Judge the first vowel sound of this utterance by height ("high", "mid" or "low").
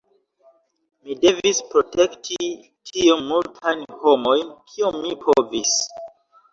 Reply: high